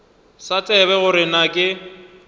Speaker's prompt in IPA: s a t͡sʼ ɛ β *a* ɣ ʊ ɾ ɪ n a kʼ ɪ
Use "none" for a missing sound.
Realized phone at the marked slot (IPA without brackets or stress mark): ɛ